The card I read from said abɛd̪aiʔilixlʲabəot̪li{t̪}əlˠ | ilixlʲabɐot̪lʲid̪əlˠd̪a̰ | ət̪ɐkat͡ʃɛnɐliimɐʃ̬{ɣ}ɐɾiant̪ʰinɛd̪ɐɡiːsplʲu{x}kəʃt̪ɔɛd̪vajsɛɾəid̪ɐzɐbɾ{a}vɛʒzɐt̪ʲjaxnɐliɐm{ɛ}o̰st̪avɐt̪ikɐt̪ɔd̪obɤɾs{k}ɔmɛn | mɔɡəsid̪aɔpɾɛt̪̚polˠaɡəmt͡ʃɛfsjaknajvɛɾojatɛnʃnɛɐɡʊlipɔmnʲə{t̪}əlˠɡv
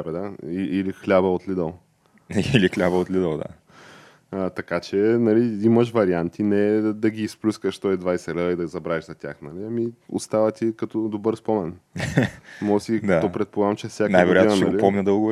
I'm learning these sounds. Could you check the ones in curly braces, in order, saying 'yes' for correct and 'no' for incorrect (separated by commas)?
no, no, no, yes, no, no, no